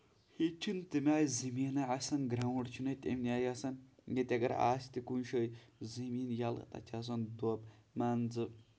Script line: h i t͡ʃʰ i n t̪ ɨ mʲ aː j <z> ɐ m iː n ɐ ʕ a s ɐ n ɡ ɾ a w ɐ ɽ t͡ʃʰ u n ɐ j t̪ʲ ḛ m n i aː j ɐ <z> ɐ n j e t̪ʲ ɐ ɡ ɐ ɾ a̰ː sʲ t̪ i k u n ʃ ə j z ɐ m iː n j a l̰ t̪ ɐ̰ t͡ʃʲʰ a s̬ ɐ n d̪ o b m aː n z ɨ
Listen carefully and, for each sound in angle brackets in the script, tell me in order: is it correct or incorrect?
correct, incorrect

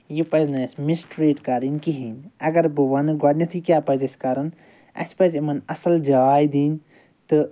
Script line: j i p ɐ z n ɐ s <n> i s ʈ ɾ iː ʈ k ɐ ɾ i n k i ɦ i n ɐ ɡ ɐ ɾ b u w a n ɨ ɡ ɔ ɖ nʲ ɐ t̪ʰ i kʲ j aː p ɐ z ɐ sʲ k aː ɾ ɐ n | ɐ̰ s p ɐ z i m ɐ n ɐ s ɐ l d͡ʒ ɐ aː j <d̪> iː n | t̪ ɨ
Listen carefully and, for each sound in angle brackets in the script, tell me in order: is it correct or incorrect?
incorrect, correct

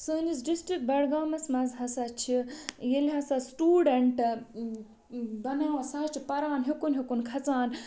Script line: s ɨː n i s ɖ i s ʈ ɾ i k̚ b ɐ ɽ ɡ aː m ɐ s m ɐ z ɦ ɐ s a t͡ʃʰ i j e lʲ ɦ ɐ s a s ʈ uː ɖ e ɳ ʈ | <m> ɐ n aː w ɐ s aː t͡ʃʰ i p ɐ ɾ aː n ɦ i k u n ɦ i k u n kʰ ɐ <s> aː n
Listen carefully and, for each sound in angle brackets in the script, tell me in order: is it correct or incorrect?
incorrect, incorrect

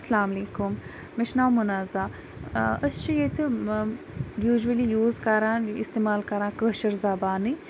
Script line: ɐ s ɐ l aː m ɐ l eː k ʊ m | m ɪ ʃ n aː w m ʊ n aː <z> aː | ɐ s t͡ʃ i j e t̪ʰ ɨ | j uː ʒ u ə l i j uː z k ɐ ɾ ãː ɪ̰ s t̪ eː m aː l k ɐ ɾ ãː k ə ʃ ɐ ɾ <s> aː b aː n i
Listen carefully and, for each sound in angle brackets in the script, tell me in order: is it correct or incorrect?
correct, incorrect

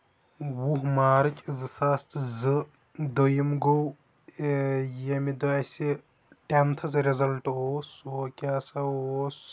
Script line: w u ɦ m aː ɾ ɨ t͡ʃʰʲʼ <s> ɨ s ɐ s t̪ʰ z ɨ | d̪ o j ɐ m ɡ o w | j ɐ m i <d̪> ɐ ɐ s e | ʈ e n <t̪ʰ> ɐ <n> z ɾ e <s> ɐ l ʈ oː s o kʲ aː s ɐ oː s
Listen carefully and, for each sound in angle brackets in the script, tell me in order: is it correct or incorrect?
incorrect, correct, correct, incorrect, incorrect

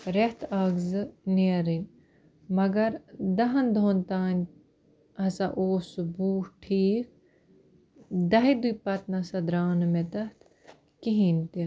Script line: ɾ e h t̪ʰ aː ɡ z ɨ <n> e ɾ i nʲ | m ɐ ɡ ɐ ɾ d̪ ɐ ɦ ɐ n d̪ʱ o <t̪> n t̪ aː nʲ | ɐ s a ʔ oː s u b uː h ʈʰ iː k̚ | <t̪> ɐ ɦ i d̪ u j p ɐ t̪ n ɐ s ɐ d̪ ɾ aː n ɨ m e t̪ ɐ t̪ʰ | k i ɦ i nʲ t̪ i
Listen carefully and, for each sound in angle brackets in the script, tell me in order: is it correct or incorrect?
correct, incorrect, incorrect

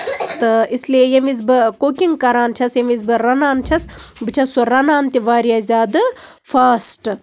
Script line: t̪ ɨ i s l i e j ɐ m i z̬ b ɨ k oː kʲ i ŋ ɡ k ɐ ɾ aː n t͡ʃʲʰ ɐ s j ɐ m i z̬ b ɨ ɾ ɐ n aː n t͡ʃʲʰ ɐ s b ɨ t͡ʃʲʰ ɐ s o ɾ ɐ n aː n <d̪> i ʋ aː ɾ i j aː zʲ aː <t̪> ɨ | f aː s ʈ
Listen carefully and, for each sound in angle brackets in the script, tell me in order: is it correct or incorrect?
incorrect, incorrect

